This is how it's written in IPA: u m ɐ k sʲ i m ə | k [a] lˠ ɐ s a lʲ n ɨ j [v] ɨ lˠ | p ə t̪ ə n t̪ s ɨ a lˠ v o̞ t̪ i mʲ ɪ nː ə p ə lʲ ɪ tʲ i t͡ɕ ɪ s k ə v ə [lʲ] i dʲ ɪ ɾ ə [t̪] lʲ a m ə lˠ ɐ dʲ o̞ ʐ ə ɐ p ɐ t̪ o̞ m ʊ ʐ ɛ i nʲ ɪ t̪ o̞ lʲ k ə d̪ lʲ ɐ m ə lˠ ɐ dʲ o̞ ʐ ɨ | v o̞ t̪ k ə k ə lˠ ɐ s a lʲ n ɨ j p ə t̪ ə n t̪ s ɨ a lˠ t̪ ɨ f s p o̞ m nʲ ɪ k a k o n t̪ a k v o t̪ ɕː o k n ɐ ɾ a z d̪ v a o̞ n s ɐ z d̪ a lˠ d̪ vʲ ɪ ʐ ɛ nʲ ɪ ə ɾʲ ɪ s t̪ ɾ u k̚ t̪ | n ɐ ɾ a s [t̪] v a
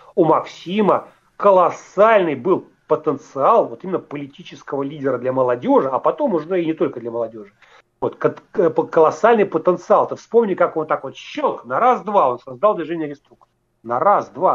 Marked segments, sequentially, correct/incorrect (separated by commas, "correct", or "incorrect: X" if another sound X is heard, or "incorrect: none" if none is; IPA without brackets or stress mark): incorrect: ə, incorrect: b, correct, incorrect: d̪, incorrect: d̪